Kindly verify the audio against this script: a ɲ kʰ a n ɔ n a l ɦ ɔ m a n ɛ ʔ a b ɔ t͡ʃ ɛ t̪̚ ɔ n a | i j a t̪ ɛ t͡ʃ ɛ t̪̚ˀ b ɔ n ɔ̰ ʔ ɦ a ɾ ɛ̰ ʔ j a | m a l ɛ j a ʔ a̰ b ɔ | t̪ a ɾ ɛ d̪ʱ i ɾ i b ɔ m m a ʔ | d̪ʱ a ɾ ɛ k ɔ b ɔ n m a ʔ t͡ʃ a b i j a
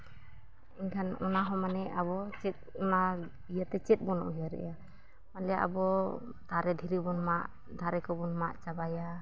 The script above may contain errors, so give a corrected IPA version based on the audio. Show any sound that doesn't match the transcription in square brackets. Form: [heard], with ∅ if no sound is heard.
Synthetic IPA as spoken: [i] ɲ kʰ a n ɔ n a [∅] ɦ ɔ m a n ɛ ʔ a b ɔ t͡ʃ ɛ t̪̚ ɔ n a | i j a t̪ ɛ t͡ʃ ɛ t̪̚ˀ b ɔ n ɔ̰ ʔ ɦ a ɾ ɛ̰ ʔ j a | m a l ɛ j a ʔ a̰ b ɔ | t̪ a ɾ ɛ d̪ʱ i ɾ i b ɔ [n] m a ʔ | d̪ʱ a ɾ ɛ k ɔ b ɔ n m a ʔ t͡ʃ a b [a] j a